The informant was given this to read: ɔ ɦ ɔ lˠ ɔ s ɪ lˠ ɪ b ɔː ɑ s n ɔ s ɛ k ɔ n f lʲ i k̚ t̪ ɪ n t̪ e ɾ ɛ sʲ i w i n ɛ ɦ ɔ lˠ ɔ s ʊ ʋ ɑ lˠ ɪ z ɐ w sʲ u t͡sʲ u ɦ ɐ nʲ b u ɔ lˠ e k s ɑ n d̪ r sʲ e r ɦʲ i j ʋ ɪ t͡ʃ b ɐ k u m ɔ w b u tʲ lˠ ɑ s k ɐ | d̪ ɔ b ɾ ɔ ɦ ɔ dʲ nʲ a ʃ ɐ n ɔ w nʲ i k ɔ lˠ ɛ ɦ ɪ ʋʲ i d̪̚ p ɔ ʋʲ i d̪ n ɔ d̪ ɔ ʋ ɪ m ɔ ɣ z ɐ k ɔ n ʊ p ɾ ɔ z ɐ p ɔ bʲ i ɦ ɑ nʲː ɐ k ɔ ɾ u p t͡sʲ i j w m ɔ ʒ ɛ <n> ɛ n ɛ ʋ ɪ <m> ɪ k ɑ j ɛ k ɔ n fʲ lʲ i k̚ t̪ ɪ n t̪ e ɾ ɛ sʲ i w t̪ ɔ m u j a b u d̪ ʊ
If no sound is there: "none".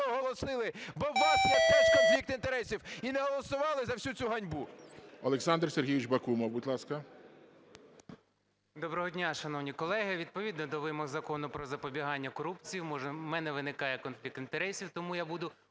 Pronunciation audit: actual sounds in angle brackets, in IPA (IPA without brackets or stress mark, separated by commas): m, n